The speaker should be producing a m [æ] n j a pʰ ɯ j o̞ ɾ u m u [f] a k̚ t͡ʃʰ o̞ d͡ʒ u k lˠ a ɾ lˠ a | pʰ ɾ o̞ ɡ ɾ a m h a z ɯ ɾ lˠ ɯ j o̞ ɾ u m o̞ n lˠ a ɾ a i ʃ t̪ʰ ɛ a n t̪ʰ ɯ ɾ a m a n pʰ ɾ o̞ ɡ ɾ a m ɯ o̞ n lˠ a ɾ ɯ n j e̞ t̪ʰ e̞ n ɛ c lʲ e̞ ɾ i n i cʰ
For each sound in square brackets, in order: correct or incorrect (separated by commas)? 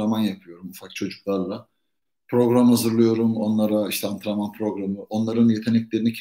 incorrect, correct